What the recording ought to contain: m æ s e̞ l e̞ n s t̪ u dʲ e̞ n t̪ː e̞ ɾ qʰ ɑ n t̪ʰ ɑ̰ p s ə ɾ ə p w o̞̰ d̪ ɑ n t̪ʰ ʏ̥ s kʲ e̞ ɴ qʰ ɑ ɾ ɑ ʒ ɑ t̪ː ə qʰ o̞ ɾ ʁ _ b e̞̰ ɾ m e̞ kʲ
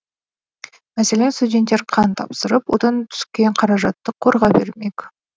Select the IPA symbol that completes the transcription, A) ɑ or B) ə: A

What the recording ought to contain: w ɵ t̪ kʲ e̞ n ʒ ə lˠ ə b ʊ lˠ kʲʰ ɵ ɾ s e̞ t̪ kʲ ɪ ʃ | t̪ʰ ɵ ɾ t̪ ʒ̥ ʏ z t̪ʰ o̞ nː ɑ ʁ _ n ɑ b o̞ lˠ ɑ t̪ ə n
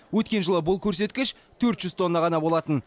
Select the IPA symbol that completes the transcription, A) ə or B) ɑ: B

